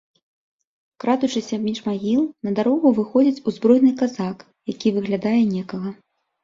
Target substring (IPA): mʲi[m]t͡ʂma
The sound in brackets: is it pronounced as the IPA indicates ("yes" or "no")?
no